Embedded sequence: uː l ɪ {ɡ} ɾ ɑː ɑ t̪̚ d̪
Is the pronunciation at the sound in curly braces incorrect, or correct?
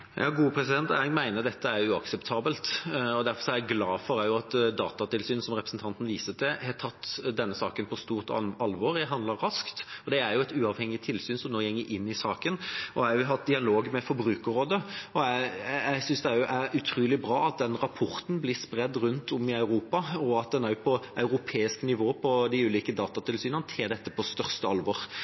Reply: incorrect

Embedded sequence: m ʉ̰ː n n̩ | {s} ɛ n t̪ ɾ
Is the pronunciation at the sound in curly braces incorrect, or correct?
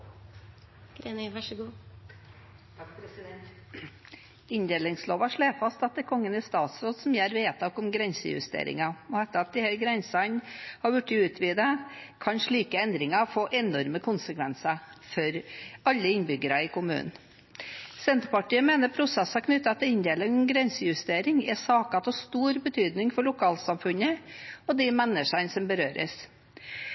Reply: correct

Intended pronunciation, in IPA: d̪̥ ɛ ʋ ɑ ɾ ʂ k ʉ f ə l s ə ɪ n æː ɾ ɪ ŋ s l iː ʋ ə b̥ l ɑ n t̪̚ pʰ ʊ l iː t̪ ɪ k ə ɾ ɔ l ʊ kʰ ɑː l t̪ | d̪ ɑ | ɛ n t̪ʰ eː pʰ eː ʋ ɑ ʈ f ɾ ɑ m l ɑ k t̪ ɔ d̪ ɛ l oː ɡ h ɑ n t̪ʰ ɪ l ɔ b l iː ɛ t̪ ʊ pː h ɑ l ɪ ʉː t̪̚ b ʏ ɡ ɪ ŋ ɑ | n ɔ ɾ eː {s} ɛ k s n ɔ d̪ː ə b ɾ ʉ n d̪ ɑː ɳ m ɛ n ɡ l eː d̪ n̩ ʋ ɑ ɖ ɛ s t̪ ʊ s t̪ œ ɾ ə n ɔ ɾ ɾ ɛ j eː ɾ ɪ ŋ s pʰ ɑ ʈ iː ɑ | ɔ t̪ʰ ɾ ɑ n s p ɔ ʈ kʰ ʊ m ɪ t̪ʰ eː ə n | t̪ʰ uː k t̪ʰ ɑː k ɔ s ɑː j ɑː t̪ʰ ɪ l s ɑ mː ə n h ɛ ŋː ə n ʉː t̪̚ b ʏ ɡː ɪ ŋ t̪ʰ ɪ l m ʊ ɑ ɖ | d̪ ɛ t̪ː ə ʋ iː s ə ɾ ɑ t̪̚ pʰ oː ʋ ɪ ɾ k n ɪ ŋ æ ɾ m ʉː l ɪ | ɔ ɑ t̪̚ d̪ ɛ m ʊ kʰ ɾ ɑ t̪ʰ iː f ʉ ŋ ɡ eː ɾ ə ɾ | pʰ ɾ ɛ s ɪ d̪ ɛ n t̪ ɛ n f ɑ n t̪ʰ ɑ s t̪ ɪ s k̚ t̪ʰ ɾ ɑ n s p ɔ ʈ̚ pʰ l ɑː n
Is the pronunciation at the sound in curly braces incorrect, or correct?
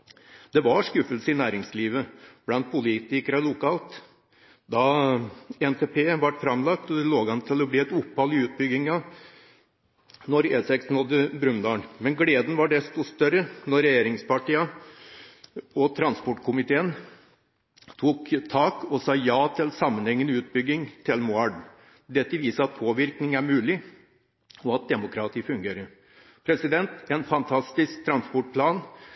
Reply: correct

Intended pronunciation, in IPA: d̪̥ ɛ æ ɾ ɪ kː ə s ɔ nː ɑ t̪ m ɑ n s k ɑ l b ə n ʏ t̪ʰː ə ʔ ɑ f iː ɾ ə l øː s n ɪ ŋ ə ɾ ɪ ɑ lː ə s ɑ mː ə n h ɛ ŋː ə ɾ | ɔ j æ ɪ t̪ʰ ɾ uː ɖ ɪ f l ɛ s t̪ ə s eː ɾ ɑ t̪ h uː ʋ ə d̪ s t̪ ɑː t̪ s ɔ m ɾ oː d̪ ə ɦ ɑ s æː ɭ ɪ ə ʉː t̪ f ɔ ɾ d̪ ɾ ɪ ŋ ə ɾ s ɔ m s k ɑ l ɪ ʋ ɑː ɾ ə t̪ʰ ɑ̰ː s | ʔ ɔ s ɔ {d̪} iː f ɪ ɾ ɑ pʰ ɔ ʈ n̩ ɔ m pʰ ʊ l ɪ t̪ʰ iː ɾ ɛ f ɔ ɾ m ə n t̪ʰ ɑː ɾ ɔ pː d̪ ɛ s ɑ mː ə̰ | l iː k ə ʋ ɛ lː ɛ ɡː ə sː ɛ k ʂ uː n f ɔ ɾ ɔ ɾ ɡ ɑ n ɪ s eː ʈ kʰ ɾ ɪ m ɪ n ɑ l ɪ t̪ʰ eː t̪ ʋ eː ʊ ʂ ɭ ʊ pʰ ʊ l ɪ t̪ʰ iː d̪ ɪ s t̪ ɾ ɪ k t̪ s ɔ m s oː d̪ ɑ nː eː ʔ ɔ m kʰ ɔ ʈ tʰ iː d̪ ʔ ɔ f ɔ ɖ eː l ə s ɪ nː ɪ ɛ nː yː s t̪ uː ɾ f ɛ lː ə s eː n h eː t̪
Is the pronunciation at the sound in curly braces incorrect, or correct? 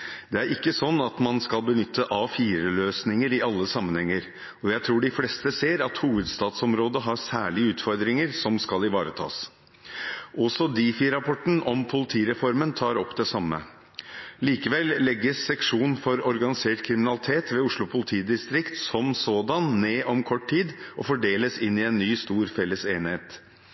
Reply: correct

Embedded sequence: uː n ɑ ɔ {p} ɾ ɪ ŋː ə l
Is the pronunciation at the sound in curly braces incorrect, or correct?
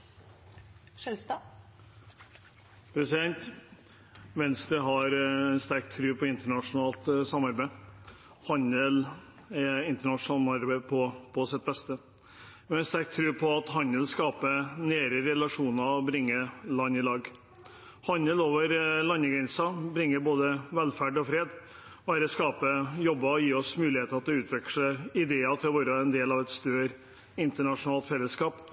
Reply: incorrect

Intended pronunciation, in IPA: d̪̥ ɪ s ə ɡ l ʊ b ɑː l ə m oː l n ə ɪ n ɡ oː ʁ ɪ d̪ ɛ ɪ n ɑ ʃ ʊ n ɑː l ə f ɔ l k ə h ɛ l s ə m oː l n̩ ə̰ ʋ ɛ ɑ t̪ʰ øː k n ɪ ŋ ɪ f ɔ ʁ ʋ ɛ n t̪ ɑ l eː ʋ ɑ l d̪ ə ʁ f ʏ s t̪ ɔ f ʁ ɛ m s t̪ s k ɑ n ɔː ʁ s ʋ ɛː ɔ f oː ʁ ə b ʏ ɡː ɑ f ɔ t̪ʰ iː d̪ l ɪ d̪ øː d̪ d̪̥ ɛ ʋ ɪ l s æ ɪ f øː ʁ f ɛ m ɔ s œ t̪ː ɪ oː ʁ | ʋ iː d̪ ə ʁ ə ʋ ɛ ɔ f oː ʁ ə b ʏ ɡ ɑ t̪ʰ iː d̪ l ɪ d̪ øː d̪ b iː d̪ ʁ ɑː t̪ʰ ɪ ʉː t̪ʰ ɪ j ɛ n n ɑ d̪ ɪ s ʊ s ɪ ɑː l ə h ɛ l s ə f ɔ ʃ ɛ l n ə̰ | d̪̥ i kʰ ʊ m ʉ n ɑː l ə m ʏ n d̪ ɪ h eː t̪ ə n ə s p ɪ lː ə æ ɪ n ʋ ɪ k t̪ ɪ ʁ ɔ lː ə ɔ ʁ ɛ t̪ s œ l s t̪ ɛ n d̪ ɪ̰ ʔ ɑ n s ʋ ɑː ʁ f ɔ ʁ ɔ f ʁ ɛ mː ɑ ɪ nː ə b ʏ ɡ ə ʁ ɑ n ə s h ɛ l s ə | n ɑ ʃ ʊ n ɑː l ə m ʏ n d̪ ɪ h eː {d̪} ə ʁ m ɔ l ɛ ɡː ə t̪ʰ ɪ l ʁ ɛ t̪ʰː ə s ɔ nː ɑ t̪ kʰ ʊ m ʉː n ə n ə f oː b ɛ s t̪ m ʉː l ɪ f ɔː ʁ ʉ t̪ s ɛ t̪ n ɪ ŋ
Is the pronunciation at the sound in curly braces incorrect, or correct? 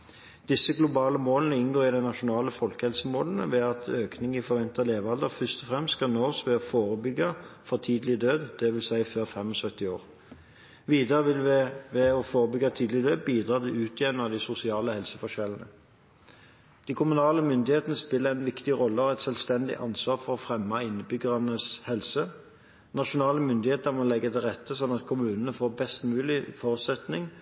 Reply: incorrect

